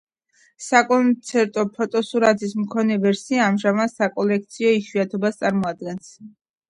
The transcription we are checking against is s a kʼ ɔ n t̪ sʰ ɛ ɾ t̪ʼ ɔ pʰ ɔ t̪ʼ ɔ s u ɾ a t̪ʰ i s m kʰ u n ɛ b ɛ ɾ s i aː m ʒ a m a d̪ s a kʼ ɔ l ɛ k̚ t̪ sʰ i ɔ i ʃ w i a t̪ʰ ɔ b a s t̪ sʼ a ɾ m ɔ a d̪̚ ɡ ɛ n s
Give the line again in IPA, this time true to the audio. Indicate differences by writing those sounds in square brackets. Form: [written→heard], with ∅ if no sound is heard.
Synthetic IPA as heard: s a kʼ ɔ n t̪ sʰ ɛ ɾ t̪ʼ ɔ pʰ ɔ t̪ʼ ɔ s u ɾ a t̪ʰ i s m kʰ [u→ɔ] n ɛ [b→v] ɛ ɾ s i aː m ʒ a m a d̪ s a kʼ ɔ l ɛ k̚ t̪ sʰ i ɔ i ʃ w i a t̪ʰ ɔ b a s t̪ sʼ a ɾ m ɔ a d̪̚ ɡ ɛ n s

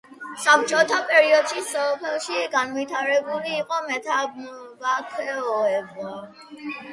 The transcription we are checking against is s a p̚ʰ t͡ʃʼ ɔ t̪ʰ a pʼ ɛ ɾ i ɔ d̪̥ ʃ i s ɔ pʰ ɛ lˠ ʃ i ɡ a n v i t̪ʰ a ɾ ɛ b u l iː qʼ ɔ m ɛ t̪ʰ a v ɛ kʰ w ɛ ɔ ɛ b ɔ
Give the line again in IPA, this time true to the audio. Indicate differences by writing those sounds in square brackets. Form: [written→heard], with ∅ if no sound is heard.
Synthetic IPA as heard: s a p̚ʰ t͡ʃʼ ɔ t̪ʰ a pʼ ɛ ɾ i ɔ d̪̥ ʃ i s ɔ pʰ ɛ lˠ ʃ i ɡ a n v i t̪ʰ a ɾ ɛ b u l iː qʼ ɔ m ɛ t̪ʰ a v [ɛ→a] kʰ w ɛ ɔ ɛ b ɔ

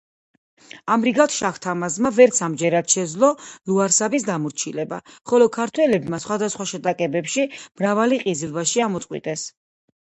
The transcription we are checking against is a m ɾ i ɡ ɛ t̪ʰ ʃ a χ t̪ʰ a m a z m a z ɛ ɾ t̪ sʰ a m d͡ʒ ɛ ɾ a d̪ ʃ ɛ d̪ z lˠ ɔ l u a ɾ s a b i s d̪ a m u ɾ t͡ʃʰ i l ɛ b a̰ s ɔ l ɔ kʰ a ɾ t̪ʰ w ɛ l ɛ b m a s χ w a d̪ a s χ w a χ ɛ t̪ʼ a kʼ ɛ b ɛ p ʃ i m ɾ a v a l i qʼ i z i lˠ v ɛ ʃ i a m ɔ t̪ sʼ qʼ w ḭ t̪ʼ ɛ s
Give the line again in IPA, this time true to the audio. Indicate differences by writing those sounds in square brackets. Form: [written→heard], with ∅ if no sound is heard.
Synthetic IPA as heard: a m ɾ i ɡ [ɛ→a] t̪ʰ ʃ a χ t̪ʰ a m a z m a [z→v] ɛ ɾ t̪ sʰ a m d͡ʒ ɛ ɾ a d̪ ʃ ɛ d̪ z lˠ ɔ l u a ɾ s a b i s d̪ a m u ɾ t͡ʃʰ i l ɛ b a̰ [s→χ] ɔ l ɔ kʰ a ɾ t̪ʰ w ɛ l ɛ b m a s χ w a d̪ a s χ w a [χ→ʃ] ɛ t̪ʼ a kʼ ɛ b ɛ p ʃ i m ɾ a v a l i qʼ i z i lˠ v [ɛ→a] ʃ i a m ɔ t̪ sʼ qʼ w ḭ t̪ʼ ɛ s

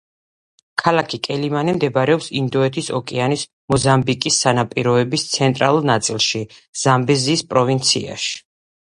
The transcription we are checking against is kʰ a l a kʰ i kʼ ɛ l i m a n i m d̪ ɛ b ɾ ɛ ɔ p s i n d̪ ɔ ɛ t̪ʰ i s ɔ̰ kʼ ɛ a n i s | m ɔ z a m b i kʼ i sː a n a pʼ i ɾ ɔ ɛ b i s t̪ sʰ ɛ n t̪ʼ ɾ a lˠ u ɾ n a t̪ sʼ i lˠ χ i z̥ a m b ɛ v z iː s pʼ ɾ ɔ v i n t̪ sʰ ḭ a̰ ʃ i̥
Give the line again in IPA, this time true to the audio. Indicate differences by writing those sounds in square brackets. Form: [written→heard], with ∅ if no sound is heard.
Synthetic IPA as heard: kʰ a l a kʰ i kʼ ɛ l i m a n i m d̪ ɛ b ɾ ɛ ɔ p s i n d̪ ɔ ɛ t̪ʰ i s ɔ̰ kʼ ɛ a n i s | m ɔ z a m b i kʼ i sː a n a pʼ i ɾ ɔ ɛ b i s t̪ sʰ ɛ n t̪ʼ ɾ a lˠ u ɾ n a t̪ sʼ i lˠ [χ→ʃ] i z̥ a m b ɛ [v→∅] z iː s pʼ ɾ ɔ v i n t̪ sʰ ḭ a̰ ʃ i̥

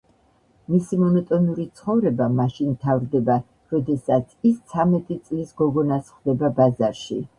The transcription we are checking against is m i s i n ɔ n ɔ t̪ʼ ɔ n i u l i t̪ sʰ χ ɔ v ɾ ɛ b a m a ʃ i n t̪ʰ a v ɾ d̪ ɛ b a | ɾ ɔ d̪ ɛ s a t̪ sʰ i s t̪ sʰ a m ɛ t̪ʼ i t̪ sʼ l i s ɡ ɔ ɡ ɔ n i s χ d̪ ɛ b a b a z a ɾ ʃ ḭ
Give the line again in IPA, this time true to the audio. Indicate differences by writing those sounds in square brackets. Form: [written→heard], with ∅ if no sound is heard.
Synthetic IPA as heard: m i s i [n→m] ɔ n ɔ t̪ʼ ɔ n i u [l→ɾ] i t̪ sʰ χ ɔ v ɾ ɛ b a m a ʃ i n t̪ʰ a v ɾ d̪ ɛ b a | ɾ ɔ d̪ ɛ s a t̪ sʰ i s t̪ sʰ a m ɛ t̪ʼ i t̪ sʼ l i s ɡ ɔ ɡ ɔ n [i→a] s χ d̪ ɛ b a b a z a ɾ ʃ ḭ

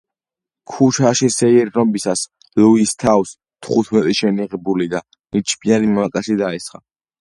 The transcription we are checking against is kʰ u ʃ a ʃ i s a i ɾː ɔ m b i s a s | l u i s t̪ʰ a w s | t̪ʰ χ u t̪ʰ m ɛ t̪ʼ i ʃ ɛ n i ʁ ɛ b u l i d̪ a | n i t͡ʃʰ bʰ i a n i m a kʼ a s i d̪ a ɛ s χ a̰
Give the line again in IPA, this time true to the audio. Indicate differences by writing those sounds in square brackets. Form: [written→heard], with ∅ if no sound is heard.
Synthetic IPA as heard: kʰ u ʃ a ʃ i s [a→ɛ] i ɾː ɔ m b i s a s | l u i s t̪ʰ a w s | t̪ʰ χ u t̪ʰ m ɛ t̪ʼ i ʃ ɛ n i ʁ ɛ b u l i d̪ a | n i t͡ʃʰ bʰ i a n i m a kʼ a s i d̪ a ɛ s χ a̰

